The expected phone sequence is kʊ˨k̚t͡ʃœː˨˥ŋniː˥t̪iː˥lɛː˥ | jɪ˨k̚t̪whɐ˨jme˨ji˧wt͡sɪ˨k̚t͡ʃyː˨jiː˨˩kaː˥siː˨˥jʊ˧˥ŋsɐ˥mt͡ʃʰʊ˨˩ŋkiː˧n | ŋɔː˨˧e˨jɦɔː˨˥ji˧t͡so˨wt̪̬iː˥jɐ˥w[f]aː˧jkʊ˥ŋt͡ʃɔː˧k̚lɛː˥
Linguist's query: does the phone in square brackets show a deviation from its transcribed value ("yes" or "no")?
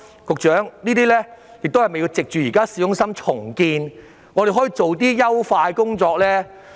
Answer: no